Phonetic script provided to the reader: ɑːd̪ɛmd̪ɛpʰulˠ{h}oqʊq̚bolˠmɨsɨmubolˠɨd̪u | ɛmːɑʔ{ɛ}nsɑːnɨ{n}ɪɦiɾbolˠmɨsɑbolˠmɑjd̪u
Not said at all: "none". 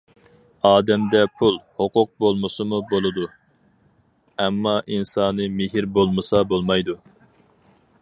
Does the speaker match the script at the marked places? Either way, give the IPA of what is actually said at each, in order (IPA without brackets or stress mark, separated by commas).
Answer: h, i, m